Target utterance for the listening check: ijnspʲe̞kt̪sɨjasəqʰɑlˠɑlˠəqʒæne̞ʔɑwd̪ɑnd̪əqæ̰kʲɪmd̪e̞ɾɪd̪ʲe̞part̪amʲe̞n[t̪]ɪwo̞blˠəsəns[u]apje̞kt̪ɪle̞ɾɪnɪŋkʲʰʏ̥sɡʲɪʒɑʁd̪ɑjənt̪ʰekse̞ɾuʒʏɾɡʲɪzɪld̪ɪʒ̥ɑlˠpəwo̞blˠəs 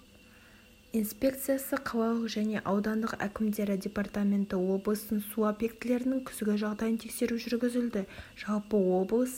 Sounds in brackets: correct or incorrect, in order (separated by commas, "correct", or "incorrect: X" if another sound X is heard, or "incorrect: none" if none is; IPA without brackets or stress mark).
correct, correct